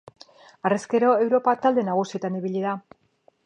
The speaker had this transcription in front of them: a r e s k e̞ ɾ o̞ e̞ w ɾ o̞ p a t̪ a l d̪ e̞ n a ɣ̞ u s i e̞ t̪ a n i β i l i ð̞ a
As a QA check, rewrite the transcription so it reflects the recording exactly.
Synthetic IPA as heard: a r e s k e̞ ɾ o̞ e̞ w ɾ o̞ p a t̪ a l d̪ e̞ n a ɣ̞ u s i e̞ t̪ a n i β i ʎ i ð̞ a